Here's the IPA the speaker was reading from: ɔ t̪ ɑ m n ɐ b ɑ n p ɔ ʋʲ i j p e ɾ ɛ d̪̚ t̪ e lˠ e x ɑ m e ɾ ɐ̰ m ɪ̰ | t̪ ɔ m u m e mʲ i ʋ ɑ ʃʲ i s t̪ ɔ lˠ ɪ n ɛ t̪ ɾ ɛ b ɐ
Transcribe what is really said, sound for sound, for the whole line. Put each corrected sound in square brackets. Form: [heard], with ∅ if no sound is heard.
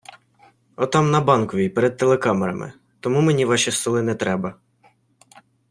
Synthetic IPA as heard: ɔ t̪ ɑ m n ɐ b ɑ n [k] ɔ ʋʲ i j p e ɾ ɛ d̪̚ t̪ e lˠ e [k] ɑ m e ɾ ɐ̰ m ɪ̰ | t̪ ɔ m u m e [nʲ] i ʋ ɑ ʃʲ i s t̪ ɔ lˠ ɪ n ɛ t̪ ɾ ɛ b ɐ